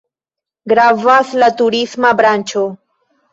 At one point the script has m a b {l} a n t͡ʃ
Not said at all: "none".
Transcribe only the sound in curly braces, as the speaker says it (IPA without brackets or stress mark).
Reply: ɾ